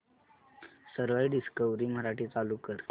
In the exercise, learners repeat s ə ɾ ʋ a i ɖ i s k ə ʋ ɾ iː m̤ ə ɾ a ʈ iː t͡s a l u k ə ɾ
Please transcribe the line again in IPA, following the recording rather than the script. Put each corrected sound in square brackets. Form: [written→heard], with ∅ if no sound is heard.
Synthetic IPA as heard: s ə ɾ ʋ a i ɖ i s k ə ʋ ɾ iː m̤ ə ɾ a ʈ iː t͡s a l u k ə ɾ